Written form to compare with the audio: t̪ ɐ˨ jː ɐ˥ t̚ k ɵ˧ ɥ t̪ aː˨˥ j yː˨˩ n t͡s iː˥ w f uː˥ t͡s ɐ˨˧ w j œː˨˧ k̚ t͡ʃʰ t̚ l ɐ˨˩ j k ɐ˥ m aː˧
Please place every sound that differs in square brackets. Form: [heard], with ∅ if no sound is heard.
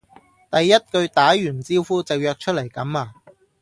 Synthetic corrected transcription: t̪ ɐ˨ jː ɐ˥ t̚ k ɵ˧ ɥ t̪ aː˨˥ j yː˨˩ n t͡s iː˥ w f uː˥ t͡s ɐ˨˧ w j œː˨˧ k̚ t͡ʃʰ t̚ l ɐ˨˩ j k [ɐ˨˥] m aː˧